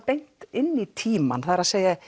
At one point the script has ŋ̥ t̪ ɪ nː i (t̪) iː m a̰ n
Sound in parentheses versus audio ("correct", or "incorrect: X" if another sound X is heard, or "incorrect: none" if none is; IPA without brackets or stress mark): incorrect: t̪ʰ